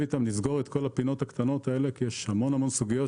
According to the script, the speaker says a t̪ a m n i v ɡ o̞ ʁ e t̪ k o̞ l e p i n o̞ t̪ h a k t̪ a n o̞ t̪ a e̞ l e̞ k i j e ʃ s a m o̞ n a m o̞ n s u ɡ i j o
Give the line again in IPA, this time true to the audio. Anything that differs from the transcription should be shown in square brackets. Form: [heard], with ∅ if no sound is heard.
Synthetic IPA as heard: [i] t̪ a m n i [z] ɡ o̞ ʁ e t̪ k o̞ l [a] p i n o̞ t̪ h a k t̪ a n o̞ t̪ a e̞ l e̞ k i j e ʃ [h] a m o̞ n a m o̞ n s u ɡ i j o